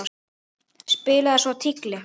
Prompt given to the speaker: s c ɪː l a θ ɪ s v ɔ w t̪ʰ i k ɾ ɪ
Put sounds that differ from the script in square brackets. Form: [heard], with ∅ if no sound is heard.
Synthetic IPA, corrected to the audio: s [p] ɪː l a [ð] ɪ s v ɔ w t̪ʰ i k [l] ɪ